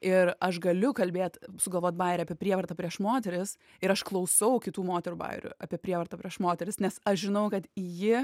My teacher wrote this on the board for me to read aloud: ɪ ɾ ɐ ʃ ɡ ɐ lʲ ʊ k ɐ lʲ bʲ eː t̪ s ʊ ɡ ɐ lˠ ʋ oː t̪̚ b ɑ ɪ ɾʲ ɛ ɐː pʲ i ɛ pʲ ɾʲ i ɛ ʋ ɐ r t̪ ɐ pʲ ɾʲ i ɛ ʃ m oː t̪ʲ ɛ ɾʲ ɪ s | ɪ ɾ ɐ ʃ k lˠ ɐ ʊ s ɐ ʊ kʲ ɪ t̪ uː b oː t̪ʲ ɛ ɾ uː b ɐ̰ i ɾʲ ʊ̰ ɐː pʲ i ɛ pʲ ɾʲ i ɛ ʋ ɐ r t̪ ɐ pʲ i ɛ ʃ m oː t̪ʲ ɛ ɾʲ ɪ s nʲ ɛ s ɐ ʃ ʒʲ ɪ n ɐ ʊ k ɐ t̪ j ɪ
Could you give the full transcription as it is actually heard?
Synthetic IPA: ɪ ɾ ɐ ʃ ɡ ɐ lʲ ʊ k ɐ lʲ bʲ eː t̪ s ʊ ɡ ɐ lˠ ʋ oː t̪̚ b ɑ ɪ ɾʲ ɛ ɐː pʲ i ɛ pʲ ɾʲ i ɛ ʋ ɐ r t̪ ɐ pʲ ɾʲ i ɛ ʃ m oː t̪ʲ ɛ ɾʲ ɪ s | ɪ ɾ ɐ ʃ k lˠ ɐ ʊ s ɐ ʊ kʲ ɪ t̪ uː m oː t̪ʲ ɛ ɾ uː b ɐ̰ ɪ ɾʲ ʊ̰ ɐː pʲ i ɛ pʲ ɾʲ i ɛ ʋ ɐ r t̪ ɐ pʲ i ɛ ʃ m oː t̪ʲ ɛ ɾʲ ɪ s nʲ ɛ s ɐ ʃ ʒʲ ɪ n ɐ ʊ k ɐ t̪ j ɪ

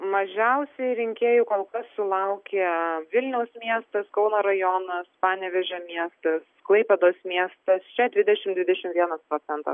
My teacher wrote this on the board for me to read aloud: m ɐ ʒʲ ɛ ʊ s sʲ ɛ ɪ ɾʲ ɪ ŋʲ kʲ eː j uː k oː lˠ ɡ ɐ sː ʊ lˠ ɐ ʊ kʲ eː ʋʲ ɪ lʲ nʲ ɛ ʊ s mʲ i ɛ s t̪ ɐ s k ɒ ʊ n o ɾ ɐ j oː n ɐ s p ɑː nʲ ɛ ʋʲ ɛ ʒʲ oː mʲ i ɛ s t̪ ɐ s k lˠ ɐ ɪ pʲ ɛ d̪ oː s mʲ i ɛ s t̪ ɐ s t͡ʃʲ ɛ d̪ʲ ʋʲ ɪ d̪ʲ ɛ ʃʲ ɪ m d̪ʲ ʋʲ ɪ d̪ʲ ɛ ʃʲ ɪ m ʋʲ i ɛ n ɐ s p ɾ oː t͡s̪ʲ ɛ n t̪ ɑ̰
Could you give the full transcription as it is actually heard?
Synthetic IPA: m ɐ ʒʲ ɛ ʊ s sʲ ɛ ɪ ɾʲ ɪ ŋʲ kʲ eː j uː k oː lˠ k ɐ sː ʊ lˠ ɐ ʊ kʲ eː ʋʲ ɪ lʲ nʲ ɛ ʊ s mʲ i ɛ s t̪ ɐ s k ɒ ʊ n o ɾ ɐ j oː n ɐ s p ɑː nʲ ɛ ʋʲ ɛ ʒʲ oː mʲ i ɛ s t̪ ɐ s k lˠ ɐ ɪ pʲ ɛ d̪ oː s mʲ i ɛ s t̪ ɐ s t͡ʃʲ ɛ d̪ʲ ʋʲ ɪ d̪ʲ ɛ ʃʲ ɪ m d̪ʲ ʋʲ ɪ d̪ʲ ɛ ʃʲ ɪ m ʋʲ i ɛ n ɐ s p ɾ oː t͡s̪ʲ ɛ n t̪ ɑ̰

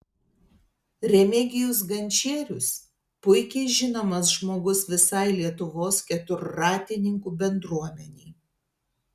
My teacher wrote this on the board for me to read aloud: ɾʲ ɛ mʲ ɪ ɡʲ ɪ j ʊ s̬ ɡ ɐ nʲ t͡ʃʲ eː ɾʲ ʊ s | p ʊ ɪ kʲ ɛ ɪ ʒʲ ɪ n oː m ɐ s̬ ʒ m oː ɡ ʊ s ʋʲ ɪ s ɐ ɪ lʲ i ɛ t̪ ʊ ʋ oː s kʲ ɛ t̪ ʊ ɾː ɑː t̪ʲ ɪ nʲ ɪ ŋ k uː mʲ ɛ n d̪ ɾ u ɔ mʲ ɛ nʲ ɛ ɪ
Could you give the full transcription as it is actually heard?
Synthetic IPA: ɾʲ ɛ mʲ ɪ ɡʲ ɪ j ʊ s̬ ɡ ɐ nʲ t͡ʃʲ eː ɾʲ ʊ s | p ʊ ɪ kʲ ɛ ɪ ʒʲ ɪ n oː m ɐ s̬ ʒ m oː ɡ ʊ s ʋʲ ɪ s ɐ ɪ lʲ i ɛ t̪ ʊ ʋ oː s kʲ ɛ t̪ ʊ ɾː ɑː t̪ʲ ɪ nʲ ɪ ŋ k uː bʲ ɛ n d̪ ɾ u ɔ mʲ ɛ nʲ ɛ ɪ

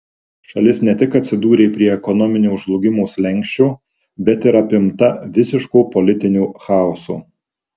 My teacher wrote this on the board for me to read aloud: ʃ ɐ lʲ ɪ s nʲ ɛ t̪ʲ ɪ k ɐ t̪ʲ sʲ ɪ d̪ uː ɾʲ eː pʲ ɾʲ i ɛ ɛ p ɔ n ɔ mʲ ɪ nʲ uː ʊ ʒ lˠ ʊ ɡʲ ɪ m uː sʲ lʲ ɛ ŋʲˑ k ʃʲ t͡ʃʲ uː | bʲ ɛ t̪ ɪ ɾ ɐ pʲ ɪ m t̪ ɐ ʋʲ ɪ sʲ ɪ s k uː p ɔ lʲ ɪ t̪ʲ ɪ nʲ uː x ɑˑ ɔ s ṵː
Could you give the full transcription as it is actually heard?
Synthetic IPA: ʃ ɐ lʲ ɪ s nʲ ɛ t̪ʲ ɪ k ɐ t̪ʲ sʲ ɪ d̪ uː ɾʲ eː pʲ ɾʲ i ɛ ɛ k ɔ n ɔ mʲ ɪ nʲ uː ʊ ʒ lˠ ʊ ɡʲ ɪ m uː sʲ lʲ ɛ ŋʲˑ k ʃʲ t͡ʃʲ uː | bʲ ɛ t̪ ɪ ɾ ɐ pʲ ɪ m t̪ ɐ ʋʲ ɪ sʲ ɪ ʃ k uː p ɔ lʲ ɪ t̪ʲ ɪ nʲ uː x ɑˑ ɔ s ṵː

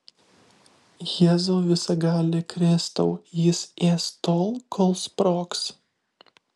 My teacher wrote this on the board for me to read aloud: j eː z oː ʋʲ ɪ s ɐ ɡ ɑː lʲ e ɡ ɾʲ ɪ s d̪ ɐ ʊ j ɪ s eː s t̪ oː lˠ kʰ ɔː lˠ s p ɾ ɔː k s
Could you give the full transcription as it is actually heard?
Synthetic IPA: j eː z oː ʋʲ ɪ s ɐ ɡ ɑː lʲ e k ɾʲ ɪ s t̪ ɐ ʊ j ɪ s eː s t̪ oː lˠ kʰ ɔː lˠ s p ɾ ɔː k s

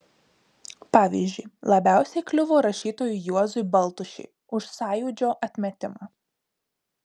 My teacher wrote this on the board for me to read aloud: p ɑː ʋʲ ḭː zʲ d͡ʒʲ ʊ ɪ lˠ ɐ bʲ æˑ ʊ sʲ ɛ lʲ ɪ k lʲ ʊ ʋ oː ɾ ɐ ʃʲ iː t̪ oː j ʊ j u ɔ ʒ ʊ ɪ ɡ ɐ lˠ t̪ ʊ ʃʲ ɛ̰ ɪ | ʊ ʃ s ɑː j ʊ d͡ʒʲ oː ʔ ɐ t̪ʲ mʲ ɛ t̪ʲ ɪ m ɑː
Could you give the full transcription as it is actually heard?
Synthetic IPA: p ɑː ʋʲ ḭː zʲ d͡ʒʲ ʊ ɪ lˠ ɐ bʲ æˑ ʊ sʲ ɛ ɪ k lʲ ʊ ʋ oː ɾ ɐ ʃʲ iː t̪ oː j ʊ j u ɔ z ʊ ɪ b ɐ lˠ t̪ ʊ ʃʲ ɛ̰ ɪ | ʊ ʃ s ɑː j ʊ d͡ʒʲ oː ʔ ɐ t̪ʲ mʲ ɛ t̪ʲ ɪ m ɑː

